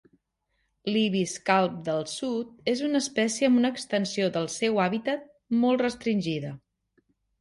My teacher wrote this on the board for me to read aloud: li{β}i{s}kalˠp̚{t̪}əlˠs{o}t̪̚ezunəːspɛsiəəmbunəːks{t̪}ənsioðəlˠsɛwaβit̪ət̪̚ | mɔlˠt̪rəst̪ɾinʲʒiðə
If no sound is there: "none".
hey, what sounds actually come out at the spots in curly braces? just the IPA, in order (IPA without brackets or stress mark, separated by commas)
β, s, d̪, u, t̪